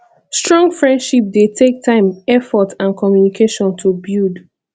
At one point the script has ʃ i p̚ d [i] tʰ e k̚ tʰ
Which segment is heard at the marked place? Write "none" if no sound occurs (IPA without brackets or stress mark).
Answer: e